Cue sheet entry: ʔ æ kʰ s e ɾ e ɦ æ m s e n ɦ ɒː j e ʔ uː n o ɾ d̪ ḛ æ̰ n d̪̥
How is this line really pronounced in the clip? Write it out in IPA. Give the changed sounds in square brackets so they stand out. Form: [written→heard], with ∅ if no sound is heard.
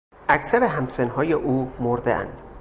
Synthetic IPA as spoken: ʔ æ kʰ s [e→æ] ɾ e ɦ æ m s e n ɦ ɒː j e ʔ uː [n→m] o ɾ d̪ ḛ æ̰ n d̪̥